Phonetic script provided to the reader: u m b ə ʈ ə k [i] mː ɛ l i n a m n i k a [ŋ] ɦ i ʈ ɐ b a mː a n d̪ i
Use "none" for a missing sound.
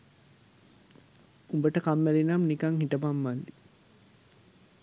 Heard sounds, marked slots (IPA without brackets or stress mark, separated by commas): a, ŋ